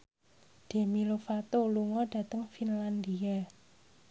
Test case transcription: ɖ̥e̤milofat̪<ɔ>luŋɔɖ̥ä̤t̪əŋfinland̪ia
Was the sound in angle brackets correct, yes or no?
no